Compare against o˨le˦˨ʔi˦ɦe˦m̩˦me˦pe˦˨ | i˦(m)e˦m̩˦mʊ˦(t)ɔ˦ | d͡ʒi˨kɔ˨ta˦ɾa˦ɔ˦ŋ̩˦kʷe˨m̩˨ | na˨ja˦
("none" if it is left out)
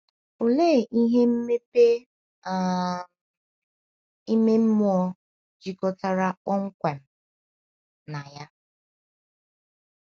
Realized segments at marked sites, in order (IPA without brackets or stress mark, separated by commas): m, none